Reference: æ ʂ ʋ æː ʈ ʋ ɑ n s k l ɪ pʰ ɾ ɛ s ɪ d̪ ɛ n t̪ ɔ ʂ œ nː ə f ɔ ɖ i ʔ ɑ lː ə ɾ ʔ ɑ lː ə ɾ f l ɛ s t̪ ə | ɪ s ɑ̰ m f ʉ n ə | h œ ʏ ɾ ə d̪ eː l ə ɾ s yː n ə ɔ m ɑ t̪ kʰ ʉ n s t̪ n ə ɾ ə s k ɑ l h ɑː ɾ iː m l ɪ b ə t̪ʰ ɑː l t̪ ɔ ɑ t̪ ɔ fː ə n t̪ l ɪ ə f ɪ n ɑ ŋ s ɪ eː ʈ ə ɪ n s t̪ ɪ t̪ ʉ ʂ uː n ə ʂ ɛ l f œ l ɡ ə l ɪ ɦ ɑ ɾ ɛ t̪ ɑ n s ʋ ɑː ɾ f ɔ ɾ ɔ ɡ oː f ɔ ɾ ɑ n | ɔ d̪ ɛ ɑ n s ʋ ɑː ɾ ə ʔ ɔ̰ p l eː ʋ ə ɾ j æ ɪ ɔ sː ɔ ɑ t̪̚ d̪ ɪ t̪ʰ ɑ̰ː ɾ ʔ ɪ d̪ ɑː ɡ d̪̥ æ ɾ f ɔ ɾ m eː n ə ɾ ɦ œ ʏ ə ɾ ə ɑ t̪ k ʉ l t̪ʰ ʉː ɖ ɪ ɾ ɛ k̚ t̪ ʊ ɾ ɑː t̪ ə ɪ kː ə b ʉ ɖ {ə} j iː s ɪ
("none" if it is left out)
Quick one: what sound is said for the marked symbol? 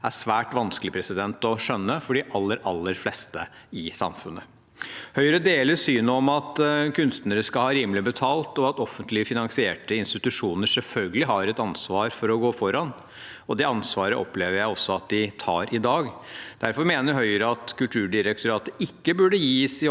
ə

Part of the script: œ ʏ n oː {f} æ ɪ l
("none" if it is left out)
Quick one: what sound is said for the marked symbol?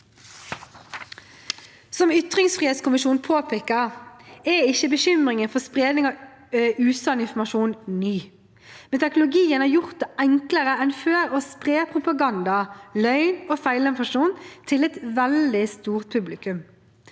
f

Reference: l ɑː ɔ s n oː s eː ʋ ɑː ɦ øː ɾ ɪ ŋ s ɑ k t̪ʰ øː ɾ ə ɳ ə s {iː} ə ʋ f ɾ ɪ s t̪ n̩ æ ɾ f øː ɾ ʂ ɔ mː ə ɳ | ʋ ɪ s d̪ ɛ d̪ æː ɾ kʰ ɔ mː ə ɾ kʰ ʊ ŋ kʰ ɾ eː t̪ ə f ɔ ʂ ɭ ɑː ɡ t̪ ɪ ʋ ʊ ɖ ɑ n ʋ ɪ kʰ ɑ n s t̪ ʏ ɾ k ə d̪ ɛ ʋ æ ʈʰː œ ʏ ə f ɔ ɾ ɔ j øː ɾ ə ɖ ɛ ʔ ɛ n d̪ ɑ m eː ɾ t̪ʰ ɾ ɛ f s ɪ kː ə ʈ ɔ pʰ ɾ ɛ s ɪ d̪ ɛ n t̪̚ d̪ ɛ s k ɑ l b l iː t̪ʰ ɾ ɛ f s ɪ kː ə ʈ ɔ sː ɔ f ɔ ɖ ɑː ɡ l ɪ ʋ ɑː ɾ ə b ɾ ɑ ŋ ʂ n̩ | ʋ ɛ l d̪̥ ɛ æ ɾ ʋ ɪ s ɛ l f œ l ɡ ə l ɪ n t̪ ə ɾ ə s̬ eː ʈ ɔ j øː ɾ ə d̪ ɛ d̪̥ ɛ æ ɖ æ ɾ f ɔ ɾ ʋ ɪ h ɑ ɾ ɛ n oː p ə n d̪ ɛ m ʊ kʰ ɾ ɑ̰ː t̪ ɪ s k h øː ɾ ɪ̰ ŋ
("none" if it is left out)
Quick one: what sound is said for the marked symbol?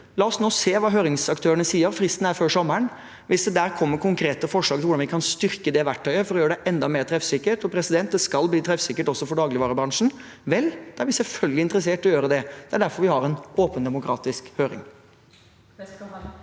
iː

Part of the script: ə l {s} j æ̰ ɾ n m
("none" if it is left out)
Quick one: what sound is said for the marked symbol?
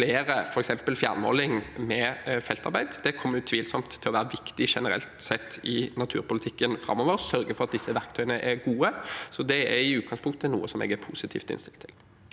f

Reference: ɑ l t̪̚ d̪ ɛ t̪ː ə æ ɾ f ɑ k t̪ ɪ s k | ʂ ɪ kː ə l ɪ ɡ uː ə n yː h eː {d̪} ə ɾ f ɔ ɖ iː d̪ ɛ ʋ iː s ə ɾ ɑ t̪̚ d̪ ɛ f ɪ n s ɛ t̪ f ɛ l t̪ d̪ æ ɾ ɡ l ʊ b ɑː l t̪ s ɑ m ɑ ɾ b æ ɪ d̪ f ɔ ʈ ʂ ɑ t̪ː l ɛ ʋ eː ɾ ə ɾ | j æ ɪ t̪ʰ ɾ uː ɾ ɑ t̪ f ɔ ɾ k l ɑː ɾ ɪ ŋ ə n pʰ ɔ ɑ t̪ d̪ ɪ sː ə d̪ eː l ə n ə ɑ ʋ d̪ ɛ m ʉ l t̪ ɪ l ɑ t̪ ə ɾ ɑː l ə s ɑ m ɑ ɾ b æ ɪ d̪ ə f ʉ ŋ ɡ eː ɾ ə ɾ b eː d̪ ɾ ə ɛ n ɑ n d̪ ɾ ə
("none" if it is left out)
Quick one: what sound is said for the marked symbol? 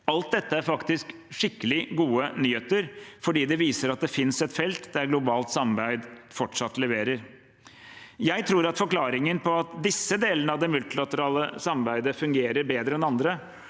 t̪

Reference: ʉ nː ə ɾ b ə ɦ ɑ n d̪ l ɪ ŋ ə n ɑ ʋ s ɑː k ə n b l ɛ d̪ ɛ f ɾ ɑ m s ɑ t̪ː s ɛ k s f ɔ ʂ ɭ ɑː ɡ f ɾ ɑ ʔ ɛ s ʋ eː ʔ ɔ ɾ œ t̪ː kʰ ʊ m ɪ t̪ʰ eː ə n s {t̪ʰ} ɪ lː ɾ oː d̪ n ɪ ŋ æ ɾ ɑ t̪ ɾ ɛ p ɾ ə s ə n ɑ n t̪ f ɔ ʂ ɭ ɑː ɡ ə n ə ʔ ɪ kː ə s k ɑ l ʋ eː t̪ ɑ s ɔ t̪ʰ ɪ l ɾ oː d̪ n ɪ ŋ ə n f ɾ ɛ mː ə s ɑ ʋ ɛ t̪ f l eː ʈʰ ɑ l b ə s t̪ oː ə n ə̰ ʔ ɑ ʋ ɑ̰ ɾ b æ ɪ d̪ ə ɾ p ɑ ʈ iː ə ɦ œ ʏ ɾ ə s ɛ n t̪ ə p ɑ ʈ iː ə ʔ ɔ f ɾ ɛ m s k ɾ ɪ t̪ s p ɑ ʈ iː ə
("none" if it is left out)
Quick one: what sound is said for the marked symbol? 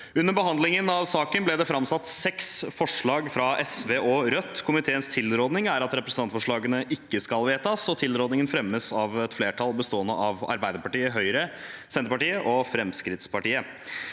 t̪ʰ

